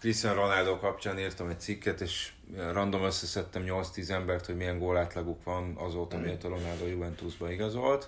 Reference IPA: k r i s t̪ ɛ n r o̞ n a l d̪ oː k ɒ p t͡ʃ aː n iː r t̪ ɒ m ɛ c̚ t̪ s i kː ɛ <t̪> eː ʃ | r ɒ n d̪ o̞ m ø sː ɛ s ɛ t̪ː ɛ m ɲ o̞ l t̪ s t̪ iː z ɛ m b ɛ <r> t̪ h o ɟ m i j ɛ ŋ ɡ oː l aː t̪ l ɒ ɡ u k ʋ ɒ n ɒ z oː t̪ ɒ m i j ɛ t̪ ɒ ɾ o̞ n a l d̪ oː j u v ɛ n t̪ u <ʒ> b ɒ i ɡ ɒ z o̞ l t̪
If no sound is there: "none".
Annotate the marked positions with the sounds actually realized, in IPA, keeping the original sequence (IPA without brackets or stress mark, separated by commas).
t̪, r, z